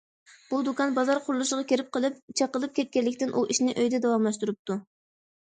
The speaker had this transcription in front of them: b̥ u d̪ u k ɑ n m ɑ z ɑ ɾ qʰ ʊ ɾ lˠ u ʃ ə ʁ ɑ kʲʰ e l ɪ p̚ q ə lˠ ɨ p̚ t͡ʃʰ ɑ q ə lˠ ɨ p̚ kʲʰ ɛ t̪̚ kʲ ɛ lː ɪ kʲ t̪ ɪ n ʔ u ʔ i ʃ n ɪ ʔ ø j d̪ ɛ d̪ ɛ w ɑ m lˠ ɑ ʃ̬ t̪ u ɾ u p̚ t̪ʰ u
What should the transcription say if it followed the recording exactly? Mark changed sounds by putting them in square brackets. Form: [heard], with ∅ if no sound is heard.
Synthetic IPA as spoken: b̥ u d̪ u k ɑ n [b] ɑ z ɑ ɾ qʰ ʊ ɾ lˠ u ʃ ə ʁ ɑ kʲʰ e [ɾ] ɪ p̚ q ə lˠ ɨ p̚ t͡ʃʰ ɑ q ə lˠ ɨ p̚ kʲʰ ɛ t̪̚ kʲ ɛ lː ɪ kʲ t̪ ɪ n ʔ u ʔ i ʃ n ɪ ʔ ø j d̪ ɛ d̪ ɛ w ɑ m lˠ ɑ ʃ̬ t̪ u ɾ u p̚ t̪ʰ u